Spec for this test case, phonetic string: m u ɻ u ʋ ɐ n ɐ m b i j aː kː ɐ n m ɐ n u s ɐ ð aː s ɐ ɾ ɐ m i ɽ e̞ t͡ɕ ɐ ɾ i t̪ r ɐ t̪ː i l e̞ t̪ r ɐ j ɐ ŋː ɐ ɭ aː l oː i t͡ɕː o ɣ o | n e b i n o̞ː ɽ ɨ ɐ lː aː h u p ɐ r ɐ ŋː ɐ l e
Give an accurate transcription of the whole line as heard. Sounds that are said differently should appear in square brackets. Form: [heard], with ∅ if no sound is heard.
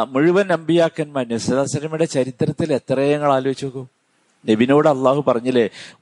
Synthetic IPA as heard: m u ɻ u ʋ ɐ n ɐ m b i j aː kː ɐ n m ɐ n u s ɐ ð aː s ɐ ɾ ɐ m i ɽ e̞ t͡ɕ ɐ ɾ i t̪ r ɐ t̪ː i l e̞ t̪ r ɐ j ɐ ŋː ɐ ɭ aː l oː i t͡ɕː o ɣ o | n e b i n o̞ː ɽ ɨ ɐ lː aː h u p ɐ r ɐ [ɲː] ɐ l e